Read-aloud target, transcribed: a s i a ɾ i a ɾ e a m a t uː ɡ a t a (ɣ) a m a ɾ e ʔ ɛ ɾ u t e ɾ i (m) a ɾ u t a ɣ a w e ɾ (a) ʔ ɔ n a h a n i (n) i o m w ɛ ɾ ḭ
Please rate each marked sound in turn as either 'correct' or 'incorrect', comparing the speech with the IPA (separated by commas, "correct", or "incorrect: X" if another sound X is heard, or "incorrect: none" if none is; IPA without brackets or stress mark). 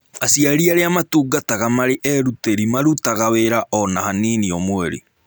correct, correct, correct, correct